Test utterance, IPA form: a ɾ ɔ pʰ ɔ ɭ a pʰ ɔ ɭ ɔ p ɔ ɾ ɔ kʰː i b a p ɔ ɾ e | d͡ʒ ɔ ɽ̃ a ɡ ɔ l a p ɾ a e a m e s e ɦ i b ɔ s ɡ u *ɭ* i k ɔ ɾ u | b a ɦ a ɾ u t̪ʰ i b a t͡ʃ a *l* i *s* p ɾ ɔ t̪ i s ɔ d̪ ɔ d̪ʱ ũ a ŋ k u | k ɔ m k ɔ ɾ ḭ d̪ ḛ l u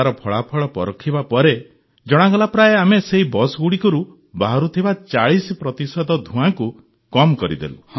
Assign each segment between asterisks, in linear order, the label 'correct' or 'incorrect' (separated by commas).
incorrect, incorrect, correct